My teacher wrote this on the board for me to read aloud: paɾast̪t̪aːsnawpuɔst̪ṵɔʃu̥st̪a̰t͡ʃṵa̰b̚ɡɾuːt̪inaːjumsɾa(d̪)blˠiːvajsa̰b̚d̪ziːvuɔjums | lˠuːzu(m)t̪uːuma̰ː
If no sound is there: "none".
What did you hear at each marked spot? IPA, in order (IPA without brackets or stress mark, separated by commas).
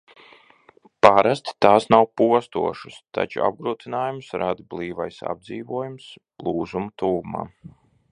d̪, m